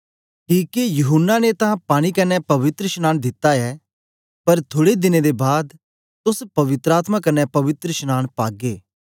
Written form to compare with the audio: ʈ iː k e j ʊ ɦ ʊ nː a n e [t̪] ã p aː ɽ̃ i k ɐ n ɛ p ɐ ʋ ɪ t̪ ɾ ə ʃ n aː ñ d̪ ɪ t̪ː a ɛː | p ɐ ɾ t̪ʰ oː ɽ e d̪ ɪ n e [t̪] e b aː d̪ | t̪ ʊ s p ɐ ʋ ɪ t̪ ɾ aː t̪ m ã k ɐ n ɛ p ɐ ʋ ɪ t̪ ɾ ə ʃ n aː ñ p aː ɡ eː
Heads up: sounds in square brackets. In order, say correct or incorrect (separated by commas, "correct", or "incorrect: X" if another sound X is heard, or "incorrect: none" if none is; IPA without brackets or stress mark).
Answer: correct, incorrect: d̪